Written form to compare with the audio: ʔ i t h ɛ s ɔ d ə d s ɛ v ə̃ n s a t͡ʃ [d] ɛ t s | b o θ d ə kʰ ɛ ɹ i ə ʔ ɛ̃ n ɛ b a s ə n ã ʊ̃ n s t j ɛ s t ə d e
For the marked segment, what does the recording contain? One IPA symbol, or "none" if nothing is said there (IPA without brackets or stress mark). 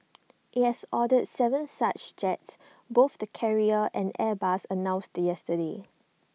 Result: d͡ʒ